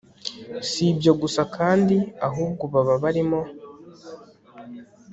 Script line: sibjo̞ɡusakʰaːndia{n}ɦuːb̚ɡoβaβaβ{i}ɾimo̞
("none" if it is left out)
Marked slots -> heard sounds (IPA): none, a

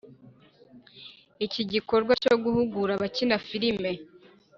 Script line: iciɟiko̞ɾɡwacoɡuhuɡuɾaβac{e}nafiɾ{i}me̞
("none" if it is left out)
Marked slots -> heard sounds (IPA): i, i

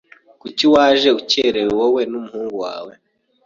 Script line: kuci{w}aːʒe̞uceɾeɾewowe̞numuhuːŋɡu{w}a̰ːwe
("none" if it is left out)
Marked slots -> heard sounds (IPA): w, w

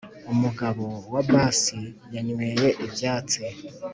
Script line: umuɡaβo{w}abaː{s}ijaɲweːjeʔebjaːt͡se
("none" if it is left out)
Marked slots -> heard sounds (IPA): w, s

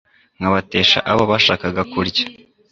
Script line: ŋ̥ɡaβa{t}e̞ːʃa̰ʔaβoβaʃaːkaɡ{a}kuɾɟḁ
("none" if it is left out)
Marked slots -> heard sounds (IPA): t, a

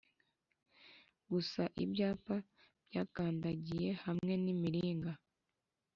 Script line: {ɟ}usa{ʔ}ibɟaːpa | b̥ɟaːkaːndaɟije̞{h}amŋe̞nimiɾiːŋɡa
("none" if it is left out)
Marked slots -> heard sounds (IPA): ɡ, ʔ, h

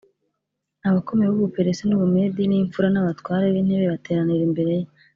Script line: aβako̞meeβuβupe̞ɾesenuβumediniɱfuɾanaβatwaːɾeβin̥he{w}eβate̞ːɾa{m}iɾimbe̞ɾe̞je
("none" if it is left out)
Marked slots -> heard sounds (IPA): β, n

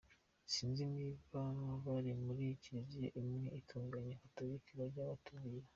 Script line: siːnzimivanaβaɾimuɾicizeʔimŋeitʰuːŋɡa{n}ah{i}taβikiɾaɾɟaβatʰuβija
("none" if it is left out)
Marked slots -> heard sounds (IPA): ɲ, a

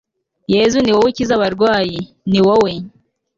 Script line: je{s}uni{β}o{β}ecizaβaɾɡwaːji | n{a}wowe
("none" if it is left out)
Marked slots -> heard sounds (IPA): z, w, w, i

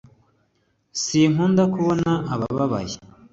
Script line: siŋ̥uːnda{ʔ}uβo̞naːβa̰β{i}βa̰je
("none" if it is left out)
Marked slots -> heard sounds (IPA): k, a

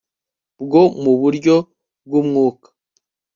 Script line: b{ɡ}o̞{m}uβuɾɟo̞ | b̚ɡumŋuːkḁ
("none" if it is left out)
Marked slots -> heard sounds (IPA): ɡ, m

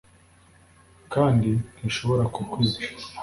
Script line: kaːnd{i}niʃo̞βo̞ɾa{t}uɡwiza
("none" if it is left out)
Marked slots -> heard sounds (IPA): i, k

